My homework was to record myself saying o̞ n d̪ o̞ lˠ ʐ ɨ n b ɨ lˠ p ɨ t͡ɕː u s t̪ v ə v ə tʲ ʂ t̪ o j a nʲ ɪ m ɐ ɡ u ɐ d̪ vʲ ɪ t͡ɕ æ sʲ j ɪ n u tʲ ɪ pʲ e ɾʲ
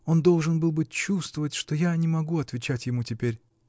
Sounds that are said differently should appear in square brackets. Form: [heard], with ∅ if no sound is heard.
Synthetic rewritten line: o̞ n d̪ o̞ lˠ ʐ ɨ n b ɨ lˠ [b] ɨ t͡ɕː u s t̪ v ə v ə tʲ ʂ t̪ o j a nʲ ɪ m ɐ ɡ u ɐ [t̪] vʲ ɪ t͡ɕ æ [tʲ] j ɪ [m] u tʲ ɪ pʲ e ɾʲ